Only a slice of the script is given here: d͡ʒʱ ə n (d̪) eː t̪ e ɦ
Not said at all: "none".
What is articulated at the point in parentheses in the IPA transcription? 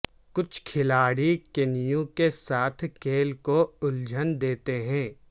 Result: d̪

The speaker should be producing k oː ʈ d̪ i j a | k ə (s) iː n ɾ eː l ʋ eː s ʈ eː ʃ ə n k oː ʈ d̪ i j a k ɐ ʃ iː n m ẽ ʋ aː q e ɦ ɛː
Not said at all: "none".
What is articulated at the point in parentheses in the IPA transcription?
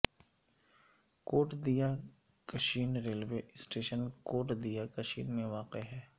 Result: ʃ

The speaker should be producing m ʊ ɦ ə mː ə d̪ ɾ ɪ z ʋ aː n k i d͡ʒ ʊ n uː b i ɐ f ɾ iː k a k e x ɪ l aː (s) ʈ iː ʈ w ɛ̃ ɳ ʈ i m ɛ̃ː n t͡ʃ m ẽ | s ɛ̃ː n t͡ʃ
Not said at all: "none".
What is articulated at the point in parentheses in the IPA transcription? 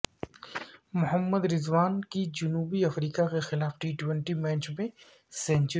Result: f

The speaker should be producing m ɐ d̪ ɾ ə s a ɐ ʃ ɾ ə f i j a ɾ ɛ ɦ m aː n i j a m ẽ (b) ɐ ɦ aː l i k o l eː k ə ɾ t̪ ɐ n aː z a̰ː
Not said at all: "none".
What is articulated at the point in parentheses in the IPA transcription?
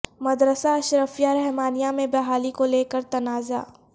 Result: b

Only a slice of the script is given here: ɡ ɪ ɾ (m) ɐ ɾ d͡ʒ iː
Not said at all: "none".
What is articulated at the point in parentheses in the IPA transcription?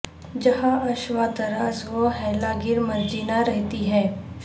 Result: m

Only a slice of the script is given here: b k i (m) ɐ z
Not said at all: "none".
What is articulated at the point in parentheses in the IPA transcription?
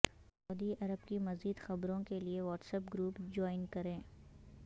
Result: m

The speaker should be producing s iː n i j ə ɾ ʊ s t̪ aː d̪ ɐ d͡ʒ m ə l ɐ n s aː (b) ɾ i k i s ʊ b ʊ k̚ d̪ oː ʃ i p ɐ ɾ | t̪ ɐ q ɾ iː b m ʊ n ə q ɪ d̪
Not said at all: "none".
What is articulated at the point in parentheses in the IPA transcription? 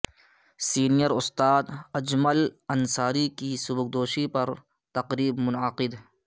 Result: none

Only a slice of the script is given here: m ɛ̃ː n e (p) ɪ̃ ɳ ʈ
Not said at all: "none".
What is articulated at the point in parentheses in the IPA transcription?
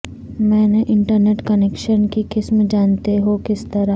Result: ʔ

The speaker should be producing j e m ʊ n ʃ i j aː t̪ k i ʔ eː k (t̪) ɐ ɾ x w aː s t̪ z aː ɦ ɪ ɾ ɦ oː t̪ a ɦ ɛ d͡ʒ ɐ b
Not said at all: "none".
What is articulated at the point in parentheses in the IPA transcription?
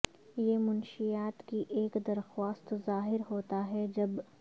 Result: d̪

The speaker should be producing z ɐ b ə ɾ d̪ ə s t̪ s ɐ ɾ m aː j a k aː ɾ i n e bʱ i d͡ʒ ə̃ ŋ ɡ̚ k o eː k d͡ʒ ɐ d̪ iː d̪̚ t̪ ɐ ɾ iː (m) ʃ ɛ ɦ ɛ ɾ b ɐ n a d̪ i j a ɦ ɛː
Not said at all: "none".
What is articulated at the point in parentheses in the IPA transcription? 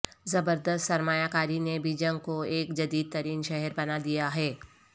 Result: n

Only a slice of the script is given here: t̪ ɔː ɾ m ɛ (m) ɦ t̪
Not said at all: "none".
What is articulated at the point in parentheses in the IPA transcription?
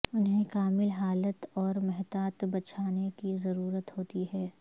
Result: none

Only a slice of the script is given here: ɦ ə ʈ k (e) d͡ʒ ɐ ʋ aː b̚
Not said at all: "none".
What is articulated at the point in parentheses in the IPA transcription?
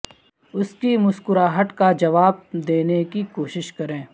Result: a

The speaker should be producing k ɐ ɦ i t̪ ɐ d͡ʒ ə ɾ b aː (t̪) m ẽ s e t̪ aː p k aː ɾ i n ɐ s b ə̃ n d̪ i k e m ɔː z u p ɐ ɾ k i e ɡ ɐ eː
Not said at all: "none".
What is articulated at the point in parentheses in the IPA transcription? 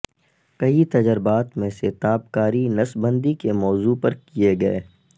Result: t̪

